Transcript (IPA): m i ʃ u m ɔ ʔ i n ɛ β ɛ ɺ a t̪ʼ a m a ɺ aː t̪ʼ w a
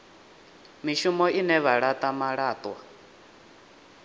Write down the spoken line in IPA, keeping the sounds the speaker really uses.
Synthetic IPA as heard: m i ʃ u m ɔ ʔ i n ɛ β a ɺ a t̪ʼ a m a ɺ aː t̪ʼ w a